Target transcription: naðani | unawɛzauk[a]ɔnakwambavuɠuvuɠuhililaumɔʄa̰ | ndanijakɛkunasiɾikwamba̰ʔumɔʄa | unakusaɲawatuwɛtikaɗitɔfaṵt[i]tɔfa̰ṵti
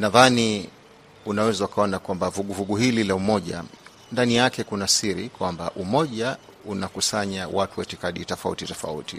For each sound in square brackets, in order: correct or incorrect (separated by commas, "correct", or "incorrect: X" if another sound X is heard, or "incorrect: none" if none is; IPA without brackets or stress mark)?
correct, correct